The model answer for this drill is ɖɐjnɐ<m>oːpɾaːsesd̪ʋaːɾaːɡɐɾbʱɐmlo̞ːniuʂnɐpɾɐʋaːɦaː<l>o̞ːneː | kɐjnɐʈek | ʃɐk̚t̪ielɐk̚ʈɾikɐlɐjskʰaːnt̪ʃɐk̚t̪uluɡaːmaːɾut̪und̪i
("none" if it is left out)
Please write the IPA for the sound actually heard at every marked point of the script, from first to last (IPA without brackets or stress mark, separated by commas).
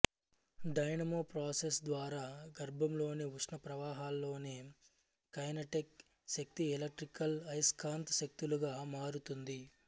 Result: m, lː